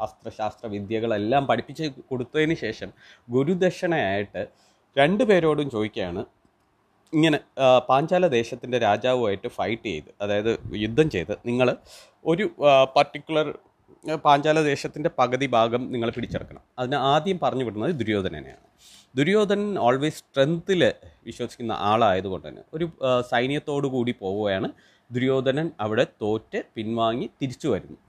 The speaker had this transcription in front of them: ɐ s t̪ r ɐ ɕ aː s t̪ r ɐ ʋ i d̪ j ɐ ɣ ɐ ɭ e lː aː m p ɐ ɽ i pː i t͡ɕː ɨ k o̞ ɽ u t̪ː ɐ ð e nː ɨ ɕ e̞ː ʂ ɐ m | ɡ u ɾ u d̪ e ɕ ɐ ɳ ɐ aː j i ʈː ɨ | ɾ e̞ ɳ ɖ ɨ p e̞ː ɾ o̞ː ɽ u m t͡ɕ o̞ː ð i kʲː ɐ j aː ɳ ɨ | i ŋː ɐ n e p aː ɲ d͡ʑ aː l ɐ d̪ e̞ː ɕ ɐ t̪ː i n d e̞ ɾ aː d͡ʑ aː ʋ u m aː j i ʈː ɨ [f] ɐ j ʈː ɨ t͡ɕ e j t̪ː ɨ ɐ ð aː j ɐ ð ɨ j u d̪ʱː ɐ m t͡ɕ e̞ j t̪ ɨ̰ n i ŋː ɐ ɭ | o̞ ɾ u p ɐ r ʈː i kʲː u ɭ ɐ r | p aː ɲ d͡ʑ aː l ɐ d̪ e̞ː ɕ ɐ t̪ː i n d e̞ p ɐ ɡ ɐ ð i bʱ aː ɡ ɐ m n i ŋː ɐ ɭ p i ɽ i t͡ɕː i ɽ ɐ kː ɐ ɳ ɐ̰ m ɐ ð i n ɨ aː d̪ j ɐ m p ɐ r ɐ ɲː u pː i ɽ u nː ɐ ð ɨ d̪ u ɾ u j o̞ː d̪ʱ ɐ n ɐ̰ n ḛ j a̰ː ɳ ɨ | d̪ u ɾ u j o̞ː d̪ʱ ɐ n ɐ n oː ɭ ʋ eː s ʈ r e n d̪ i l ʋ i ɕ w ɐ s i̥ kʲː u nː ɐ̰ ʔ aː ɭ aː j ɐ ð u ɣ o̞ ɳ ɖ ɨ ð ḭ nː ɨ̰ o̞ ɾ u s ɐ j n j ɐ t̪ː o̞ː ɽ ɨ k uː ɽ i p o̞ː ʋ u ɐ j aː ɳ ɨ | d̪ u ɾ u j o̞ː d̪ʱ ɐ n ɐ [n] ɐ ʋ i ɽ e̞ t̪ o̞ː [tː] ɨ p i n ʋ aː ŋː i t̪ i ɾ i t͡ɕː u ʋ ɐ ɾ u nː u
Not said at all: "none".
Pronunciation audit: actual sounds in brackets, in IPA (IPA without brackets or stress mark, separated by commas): f, n, tː